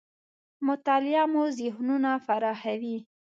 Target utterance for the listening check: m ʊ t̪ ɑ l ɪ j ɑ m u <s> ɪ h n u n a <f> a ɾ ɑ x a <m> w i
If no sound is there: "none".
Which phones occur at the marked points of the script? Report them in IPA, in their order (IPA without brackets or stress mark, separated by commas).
z, f, none